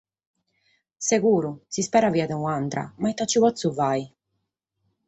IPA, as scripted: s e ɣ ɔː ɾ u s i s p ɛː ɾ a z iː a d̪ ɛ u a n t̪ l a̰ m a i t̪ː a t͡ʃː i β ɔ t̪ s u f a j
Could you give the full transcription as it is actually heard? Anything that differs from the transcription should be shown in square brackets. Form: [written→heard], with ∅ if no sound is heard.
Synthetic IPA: s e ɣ [ɔː→uː] ɾ u s i s p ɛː ɾ a [z→v] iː a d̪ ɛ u a n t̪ [l→ɾ] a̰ m a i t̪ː a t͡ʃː i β ɔ t̪ s u [f→v] a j